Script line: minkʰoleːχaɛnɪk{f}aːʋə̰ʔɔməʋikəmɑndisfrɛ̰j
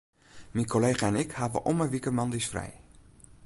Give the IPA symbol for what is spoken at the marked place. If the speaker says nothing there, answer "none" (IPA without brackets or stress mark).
h